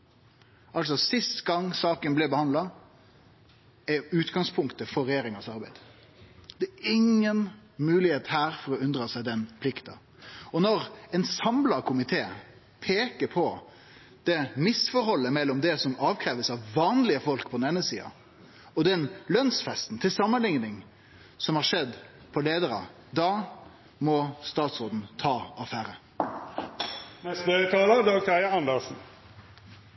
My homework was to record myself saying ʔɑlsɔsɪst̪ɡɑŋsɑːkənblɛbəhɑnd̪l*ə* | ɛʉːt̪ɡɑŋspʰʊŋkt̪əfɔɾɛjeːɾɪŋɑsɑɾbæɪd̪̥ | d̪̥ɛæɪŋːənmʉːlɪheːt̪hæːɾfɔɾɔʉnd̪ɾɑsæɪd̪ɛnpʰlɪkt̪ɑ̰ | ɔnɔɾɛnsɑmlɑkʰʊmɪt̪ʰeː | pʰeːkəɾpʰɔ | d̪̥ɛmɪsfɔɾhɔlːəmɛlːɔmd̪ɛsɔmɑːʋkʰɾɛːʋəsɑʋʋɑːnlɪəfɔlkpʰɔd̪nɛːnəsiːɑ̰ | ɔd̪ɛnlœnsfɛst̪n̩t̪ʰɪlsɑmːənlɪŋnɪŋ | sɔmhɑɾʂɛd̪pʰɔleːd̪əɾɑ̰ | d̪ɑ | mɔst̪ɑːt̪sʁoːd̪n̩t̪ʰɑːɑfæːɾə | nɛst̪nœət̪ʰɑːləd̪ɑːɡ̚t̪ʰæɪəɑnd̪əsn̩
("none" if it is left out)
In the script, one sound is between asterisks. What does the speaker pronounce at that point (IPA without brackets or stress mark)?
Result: ɑ